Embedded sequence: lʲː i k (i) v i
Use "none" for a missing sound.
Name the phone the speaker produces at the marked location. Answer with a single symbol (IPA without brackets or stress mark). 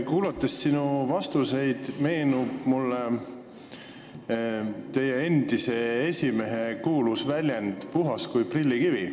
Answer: i